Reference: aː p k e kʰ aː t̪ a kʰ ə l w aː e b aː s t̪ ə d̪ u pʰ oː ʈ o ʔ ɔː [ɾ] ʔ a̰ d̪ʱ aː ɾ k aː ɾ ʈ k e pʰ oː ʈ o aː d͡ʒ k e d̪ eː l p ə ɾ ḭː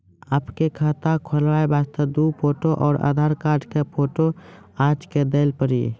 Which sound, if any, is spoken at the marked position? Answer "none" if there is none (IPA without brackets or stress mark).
ɾ